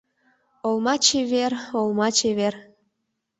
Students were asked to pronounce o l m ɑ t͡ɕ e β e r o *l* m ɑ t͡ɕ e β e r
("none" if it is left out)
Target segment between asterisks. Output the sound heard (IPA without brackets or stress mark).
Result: l